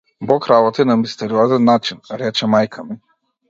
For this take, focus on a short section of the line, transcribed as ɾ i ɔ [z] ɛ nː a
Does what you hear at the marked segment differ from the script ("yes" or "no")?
no